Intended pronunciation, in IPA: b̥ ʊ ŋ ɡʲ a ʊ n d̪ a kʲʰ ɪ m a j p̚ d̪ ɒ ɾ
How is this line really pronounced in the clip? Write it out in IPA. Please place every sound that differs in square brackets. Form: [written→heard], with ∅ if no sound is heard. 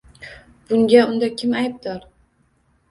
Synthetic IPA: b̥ ʊ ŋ ɡʲ a ʊ n d̪ a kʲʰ ɪ m a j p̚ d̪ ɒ ɾ